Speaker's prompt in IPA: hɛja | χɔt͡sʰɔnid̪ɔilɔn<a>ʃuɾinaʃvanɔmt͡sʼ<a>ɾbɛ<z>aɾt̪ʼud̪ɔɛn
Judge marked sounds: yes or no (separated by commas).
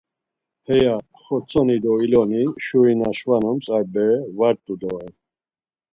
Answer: no, yes, no